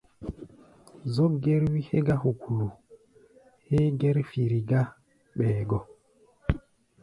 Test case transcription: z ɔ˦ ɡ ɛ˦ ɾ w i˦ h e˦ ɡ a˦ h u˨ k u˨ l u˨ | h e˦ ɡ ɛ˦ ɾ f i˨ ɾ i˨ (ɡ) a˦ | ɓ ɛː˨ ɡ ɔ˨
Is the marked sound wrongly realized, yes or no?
no